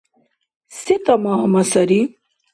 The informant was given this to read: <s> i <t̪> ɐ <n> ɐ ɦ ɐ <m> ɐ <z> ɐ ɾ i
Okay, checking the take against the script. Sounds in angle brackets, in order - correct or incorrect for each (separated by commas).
correct, correct, incorrect, correct, incorrect